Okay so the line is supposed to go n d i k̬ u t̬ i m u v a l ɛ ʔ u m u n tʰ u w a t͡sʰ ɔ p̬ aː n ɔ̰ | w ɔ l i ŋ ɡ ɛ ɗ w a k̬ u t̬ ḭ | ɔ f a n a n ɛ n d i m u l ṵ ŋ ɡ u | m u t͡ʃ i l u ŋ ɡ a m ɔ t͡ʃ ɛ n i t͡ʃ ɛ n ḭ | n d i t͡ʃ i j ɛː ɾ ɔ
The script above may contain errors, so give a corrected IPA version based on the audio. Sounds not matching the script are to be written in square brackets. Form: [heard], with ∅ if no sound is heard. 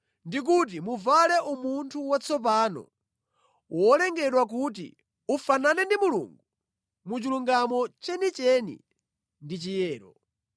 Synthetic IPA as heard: n d i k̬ u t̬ i m u v a l ɛ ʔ u m u n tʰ u w a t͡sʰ ɔ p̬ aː n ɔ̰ | w ɔ l [ɛ] ŋ ɡ ɛ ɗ w a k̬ u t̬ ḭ | [u] f a n a n ɛ n d i m u l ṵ ŋ ɡ u | m u t͡ʃ i l u ŋ ɡ a m ɔ t͡ʃ ɛ n i t͡ʃ ɛ n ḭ | n d i t͡ʃ i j ɛː ɾ ɔ